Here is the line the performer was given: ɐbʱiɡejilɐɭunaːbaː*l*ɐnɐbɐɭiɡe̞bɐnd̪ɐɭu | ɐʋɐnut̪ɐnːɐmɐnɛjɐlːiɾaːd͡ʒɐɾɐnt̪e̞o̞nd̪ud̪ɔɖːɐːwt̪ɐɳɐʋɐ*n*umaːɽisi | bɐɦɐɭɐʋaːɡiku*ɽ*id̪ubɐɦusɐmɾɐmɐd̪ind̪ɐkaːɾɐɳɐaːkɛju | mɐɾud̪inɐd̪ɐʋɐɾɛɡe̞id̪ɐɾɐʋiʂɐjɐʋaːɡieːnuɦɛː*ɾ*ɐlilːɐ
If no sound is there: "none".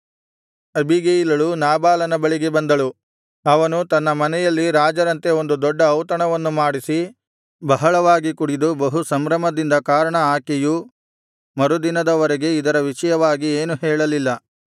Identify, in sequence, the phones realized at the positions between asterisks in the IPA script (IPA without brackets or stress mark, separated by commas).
l, nː, ɽ, ɭ